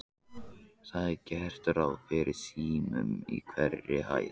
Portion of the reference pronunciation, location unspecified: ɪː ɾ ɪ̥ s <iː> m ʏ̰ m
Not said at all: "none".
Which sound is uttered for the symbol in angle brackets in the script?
iː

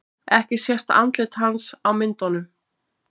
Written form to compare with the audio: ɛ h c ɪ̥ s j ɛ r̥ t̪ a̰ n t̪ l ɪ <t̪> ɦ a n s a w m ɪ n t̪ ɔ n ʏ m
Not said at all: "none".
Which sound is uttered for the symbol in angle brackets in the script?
t̪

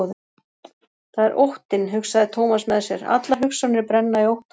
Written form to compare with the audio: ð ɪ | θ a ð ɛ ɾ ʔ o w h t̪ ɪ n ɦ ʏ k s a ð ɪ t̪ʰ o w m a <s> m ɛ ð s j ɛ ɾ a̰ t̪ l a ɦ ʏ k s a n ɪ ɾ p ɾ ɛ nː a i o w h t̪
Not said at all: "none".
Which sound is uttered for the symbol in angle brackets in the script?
s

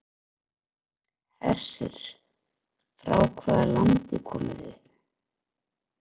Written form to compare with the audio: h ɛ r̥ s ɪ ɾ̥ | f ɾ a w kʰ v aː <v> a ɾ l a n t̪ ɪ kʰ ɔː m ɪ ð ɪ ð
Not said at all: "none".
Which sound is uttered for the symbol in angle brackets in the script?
ð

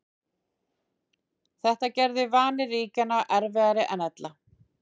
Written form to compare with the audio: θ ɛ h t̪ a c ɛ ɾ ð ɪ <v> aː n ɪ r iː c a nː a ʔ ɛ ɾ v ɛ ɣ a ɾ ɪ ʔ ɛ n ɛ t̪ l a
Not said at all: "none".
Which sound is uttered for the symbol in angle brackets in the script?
v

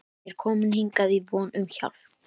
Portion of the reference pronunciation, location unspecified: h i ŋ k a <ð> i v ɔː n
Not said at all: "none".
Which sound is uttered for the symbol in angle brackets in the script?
ð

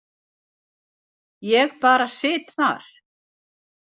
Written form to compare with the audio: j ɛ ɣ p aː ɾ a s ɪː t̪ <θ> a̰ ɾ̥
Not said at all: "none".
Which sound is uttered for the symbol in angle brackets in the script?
θ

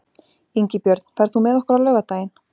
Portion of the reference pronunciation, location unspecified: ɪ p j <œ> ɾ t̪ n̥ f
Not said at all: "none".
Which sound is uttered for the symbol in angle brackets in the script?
œ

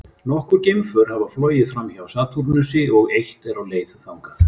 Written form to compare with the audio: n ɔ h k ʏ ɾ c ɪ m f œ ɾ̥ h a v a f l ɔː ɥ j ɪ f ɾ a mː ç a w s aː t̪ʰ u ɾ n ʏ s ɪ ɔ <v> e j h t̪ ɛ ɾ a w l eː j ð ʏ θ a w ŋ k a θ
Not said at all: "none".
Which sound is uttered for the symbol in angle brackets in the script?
ɣ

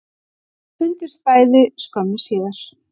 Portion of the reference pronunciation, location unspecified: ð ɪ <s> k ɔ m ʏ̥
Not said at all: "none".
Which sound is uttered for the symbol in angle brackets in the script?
s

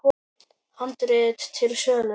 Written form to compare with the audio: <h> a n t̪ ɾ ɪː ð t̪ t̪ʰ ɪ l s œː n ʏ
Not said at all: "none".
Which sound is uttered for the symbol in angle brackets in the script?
h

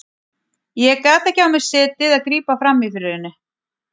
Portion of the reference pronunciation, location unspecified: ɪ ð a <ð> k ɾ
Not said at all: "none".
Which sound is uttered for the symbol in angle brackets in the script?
ð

